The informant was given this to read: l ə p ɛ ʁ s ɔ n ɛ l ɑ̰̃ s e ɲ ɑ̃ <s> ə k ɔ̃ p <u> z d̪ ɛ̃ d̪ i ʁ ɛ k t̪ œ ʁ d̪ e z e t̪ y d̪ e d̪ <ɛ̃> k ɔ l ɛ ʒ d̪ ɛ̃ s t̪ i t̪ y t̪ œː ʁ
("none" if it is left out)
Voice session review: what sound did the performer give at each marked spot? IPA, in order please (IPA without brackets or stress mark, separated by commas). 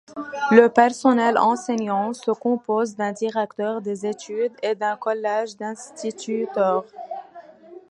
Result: s, o, ɛ̃